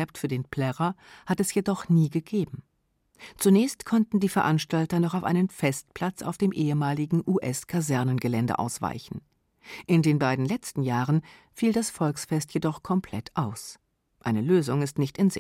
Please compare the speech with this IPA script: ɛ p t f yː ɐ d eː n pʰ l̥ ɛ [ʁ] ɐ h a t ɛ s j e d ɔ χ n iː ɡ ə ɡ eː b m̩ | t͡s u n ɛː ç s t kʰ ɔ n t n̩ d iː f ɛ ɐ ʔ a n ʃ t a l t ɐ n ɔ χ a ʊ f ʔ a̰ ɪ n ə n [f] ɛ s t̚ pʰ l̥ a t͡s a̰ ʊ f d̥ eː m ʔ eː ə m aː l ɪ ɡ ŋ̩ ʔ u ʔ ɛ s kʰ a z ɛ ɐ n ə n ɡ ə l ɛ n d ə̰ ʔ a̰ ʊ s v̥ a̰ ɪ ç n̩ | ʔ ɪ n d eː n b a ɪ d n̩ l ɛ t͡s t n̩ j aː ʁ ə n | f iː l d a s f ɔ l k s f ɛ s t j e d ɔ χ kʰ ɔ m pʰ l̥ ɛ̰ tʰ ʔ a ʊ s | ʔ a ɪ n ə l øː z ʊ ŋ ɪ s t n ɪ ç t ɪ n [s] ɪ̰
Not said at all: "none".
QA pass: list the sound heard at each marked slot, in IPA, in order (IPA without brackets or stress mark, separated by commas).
ʁ, f, z